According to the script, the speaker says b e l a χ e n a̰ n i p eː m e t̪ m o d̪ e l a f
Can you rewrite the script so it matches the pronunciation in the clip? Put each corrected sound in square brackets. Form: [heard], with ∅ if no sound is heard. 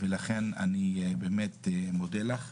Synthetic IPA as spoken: [v] e l a χ e n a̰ n i [b] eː m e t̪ m o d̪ e l a [χ]